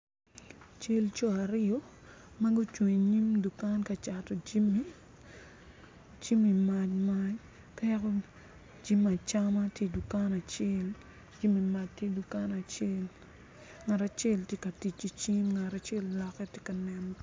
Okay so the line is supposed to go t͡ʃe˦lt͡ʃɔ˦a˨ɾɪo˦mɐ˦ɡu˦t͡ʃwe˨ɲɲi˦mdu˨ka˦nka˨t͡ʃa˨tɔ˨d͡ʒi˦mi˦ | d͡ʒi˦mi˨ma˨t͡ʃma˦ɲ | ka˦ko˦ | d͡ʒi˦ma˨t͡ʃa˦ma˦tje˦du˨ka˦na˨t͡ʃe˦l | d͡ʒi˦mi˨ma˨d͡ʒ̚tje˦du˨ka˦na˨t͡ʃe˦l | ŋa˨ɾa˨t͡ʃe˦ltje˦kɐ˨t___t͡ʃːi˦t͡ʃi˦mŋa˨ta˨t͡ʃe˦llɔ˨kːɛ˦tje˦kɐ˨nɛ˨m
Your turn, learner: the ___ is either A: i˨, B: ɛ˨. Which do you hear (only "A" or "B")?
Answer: A